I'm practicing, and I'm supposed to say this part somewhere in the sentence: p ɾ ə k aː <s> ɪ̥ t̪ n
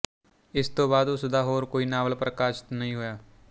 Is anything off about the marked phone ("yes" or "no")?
yes